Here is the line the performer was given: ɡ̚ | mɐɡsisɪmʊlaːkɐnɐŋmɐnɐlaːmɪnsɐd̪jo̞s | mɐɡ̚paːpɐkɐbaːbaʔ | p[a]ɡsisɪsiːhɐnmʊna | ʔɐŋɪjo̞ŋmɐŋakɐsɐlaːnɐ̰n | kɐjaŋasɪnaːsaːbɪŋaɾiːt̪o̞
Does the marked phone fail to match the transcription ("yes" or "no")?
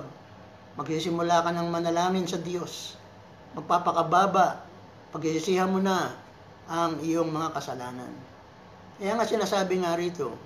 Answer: yes